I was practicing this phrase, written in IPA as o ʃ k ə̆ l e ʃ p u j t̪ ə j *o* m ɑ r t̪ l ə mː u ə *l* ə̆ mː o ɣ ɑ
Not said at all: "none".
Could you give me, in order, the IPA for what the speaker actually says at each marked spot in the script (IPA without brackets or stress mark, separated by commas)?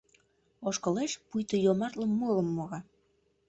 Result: o, l